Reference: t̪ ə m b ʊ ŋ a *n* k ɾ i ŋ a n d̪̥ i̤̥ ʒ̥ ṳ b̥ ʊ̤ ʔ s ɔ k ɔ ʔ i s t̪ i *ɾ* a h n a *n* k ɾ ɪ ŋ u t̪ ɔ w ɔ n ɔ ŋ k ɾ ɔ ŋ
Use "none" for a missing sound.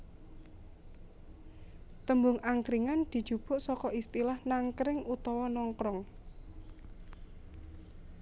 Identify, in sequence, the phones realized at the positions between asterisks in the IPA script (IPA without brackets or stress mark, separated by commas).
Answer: ŋ, l, ŋ